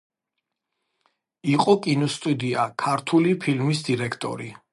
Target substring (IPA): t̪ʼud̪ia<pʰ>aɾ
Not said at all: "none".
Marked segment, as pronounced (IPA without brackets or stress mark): kʰ